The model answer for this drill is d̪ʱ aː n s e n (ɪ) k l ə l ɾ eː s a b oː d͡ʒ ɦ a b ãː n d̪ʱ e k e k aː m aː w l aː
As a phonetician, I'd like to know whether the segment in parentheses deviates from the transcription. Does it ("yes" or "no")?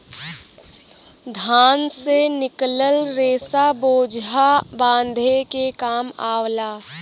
no